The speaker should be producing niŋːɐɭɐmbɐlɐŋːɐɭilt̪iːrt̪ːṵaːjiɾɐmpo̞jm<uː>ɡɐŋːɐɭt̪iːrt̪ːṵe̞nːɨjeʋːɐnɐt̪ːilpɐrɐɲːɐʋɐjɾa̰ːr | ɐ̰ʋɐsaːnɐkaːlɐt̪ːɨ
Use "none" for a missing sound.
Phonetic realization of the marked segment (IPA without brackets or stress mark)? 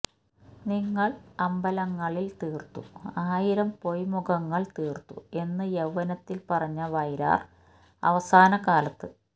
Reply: u